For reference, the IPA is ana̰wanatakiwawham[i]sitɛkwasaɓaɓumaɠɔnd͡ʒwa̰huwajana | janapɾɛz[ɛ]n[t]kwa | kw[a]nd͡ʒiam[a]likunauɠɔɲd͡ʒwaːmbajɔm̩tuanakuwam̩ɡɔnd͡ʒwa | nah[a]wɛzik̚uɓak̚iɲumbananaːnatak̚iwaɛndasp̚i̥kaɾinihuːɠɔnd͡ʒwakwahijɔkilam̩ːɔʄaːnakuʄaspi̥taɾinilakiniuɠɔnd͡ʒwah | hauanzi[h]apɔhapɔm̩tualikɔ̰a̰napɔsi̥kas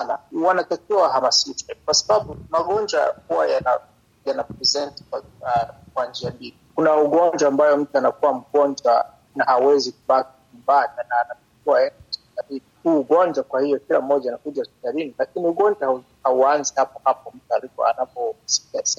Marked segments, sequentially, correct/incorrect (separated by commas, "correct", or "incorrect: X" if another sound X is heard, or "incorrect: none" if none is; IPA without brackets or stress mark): incorrect: a, correct, correct, correct, incorrect: i, correct, correct